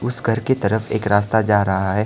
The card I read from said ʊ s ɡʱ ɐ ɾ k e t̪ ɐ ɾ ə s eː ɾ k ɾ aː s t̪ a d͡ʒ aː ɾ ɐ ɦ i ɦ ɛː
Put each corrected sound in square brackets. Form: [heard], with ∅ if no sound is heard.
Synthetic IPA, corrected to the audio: ʊ s ɡʱ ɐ ɾ k e t̪ ɐ ɾ ə [f] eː [∅] k ɾ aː s t̪ a d͡ʒ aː ɾ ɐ ɦ [a] ɦ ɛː

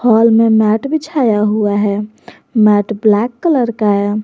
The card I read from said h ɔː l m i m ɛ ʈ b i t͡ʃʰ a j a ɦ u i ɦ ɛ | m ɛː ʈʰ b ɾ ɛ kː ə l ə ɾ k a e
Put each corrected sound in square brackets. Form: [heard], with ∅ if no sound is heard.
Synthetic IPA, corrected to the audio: h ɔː l m [e] m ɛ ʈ b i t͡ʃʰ a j a ɦ u [a] ɦ ɛ | m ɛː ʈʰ b [l] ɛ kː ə l ə ɾ k a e

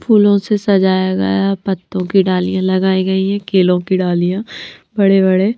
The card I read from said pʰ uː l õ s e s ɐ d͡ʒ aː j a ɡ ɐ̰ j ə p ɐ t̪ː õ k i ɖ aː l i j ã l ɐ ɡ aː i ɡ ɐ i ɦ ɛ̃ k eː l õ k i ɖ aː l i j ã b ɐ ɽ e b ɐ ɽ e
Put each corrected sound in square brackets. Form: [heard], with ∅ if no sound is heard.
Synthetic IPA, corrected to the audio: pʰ uː l õ s e s ɐ d͡ʒ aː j a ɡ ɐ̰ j [a] p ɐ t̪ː õ k i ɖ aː l i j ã l ɐ ɡ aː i ɡ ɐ i ɦ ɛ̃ k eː l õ k i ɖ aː l i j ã b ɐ ɽ e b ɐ ɽ e

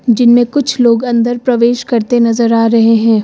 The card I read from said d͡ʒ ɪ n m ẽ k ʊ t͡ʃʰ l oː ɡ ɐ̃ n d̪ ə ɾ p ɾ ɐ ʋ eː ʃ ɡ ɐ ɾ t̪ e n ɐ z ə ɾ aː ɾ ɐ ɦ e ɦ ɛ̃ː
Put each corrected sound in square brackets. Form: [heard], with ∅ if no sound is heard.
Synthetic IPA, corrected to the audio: d͡ʒ ɪ n m ẽ k ʊ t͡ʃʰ l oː ɡ ɐ̃ n d̪ ə ɾ p ɾ ɐ ʋ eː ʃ [k] ɐ ɾ t̪ e n ɐ z ə ɾ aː ɾ ɐ ɦ e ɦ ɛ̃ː

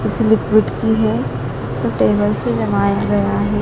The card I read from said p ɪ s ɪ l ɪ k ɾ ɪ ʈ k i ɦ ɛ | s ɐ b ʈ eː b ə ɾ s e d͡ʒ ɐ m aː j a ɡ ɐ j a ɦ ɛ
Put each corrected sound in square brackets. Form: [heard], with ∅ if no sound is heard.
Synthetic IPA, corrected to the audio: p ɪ s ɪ l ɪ k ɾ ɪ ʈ k i ɦ ɛ | s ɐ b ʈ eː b ə [l] s e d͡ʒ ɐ m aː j a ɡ ɐ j a ɦ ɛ

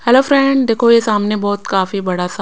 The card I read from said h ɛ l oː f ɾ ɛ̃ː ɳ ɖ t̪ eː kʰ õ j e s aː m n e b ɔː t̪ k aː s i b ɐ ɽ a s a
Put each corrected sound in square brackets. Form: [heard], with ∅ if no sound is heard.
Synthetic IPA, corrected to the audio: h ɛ l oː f ɾ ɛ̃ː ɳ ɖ [d̪] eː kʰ [o] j e s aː m n e b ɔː t̪ k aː [f] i b ɐ ɽ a s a

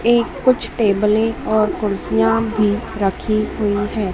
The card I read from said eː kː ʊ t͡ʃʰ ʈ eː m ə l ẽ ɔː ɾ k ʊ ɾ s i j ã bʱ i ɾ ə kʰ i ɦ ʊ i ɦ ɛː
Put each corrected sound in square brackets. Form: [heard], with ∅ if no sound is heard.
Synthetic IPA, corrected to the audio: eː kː ʊ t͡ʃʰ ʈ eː [b] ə l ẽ ɔː ɾ k ʊ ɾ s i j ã bʱ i ɾ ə kʰ i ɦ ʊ i ɦ ɛː

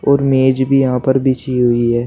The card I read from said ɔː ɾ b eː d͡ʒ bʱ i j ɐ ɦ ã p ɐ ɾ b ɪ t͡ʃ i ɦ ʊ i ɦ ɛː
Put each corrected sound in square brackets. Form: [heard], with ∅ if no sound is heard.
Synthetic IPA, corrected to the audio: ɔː ɾ [m] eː d͡ʒ bʱ i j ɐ ɦ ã p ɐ ɾ b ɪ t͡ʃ i ɦ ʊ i ɦ ɛː

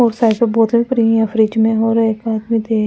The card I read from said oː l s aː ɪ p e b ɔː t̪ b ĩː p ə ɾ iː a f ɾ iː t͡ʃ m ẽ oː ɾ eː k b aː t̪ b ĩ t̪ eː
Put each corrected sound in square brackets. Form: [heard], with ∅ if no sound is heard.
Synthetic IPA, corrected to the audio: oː [ɾ] s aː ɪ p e b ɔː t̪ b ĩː p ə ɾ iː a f ɾ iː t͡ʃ m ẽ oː ɾ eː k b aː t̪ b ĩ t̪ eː

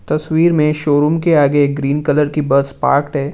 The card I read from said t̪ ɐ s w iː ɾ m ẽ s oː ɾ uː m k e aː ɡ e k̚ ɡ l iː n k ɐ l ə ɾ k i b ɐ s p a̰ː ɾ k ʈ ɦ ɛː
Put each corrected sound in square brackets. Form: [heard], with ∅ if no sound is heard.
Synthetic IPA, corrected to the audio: t̪ ɐ s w iː ɾ m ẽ [ʃ] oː ɾ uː m k e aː ɡ e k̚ ɡ [ɾ] iː n k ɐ l ə ɾ k i b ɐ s p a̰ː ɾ k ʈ ɦ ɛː

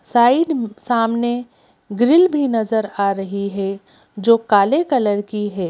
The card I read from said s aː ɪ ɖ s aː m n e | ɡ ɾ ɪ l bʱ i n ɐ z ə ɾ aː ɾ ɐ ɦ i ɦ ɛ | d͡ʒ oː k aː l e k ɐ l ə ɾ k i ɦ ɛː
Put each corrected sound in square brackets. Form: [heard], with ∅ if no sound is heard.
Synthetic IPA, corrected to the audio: s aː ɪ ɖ s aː m n e | ɡ ɾ ɪ l bʱ i n ɐ z ə ɾ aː ɾ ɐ ɦ i ɦ ɛ | d͡ʒ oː k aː l e k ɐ l ə ɾ k i ɦ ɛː

